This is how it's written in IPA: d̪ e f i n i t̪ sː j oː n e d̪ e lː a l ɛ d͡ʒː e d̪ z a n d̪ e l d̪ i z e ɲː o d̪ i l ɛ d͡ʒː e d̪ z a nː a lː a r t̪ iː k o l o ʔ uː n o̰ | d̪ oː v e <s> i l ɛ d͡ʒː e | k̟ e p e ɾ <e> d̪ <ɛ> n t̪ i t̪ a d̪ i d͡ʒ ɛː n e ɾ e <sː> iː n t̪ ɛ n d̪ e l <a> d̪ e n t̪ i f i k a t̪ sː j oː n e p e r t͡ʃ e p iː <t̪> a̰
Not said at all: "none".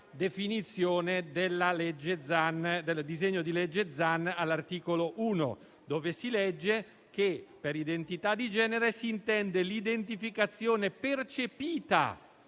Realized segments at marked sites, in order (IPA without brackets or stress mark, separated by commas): s, i, e, s, i, t̪